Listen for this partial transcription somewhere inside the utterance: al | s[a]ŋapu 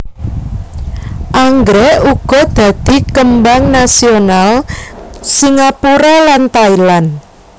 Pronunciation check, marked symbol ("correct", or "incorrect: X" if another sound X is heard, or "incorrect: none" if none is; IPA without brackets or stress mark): incorrect: i